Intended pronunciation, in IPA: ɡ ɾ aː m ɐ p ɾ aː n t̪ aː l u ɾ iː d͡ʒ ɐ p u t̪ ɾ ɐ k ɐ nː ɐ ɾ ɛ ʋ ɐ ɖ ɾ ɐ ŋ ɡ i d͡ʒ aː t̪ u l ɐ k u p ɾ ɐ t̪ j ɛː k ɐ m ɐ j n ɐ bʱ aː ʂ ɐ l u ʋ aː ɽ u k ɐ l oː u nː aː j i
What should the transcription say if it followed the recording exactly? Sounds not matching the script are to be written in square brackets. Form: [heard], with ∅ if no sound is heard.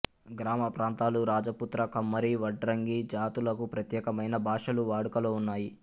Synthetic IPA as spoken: ɡ ɾ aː m ɐ p ɾ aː n t̪ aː l u ɾ [aː] d͡ʒ ɐ p u t̪ ɾ ɐ k ɐ [mː] ɐ ɾ [i] ʋ ɐ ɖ ɾ ɐ ŋ ɡ i d͡ʒ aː t̪ u l ɐ k u p ɾ ɐ t̪ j ɛː k ɐ m ɐ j n ɐ bʱ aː ʂ ɐ l u ʋ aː ɽ u k ɐ l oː u nː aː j i